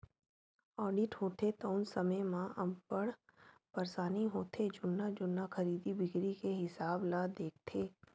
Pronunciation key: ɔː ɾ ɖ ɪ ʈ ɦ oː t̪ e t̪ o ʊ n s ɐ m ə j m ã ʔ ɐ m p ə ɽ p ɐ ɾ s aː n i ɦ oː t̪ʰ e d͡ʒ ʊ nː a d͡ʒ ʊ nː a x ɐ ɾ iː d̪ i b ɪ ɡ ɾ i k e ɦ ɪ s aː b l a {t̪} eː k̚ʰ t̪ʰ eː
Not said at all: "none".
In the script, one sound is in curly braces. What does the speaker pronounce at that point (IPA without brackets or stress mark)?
d̪